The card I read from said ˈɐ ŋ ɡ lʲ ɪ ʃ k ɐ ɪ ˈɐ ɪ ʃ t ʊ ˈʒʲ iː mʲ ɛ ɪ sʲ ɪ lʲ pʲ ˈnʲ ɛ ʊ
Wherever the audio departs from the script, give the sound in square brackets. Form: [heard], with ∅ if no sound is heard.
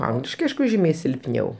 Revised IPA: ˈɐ ŋ ɡ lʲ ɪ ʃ k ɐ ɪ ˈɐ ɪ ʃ [k] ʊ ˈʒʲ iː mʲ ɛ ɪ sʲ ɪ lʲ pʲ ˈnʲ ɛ ʊ